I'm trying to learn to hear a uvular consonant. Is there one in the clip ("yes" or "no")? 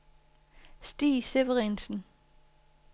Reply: yes